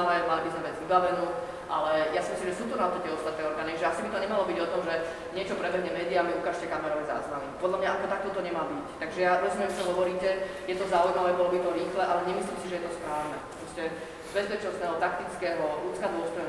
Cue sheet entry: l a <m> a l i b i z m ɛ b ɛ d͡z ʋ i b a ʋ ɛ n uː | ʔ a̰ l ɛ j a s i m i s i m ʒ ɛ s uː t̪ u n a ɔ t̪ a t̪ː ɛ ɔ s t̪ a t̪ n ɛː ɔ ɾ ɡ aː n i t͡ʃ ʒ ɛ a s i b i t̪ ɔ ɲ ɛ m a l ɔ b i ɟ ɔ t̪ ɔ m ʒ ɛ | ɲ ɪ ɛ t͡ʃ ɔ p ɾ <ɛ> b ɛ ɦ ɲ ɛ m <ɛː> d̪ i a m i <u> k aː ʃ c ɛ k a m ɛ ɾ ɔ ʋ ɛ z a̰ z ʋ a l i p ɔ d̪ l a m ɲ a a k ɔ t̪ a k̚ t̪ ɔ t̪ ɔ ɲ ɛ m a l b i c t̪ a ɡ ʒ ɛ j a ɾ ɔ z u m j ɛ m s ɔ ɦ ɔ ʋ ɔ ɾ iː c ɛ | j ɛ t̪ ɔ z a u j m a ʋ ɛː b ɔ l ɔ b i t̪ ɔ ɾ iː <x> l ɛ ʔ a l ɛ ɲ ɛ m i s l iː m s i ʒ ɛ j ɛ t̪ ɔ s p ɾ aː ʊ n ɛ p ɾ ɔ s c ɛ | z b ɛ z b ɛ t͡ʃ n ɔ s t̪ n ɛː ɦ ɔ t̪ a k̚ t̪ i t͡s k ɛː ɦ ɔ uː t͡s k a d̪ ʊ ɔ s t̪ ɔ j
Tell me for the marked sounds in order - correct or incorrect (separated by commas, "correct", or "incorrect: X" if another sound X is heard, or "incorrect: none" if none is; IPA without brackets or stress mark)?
correct, correct, correct, correct, correct